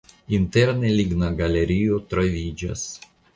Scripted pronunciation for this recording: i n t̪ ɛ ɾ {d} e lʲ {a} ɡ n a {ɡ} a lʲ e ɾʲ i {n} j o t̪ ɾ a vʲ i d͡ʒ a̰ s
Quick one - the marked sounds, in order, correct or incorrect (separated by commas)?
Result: incorrect, incorrect, correct, incorrect